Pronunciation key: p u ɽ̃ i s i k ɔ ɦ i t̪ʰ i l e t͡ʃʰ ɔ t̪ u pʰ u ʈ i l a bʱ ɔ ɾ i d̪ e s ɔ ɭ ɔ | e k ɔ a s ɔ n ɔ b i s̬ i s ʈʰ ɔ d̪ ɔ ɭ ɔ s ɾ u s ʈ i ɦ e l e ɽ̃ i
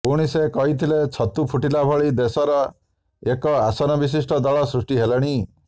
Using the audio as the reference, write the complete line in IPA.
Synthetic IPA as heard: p u ɽ̃ i s e k ɔ ɦ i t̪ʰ i l e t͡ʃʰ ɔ t̪ u pʰ u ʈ i l a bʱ ɔ ɭ i d̪ e s ɔ ɾ ɔ | e k ɔ a s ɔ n ɔ b i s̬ i s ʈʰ ɔ d̪ ɔ ɭ ɔ s ɾ u s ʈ i ɦ e l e ɽ̃ i